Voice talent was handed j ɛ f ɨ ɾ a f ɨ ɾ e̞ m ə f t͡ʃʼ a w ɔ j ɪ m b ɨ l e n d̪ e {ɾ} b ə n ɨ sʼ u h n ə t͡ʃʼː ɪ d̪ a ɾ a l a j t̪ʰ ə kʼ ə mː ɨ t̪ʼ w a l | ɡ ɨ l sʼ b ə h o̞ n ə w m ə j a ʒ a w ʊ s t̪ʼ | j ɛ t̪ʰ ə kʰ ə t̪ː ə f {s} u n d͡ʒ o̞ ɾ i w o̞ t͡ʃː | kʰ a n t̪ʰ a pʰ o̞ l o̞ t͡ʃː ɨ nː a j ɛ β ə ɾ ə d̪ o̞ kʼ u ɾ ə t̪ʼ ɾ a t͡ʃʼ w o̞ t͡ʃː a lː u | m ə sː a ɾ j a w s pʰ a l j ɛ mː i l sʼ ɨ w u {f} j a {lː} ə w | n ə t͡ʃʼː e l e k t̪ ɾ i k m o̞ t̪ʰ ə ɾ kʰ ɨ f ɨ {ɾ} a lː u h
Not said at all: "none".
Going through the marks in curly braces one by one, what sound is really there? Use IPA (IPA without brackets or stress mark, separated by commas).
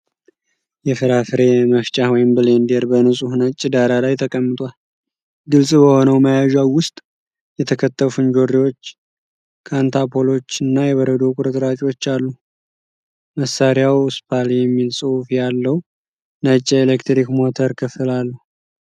ɾ, f, f, lː, l